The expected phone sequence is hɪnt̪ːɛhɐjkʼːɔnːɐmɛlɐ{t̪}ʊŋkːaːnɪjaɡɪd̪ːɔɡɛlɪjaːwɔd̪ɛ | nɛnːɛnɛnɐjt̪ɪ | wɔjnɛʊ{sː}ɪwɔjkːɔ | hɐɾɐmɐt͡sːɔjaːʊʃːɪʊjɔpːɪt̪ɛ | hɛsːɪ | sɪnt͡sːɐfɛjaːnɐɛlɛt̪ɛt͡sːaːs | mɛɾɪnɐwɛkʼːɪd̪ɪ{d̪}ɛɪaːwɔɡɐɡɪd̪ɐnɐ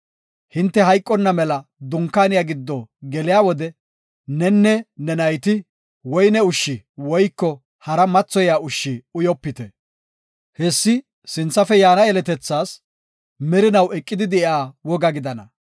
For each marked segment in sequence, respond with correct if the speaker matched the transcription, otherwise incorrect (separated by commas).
incorrect, incorrect, correct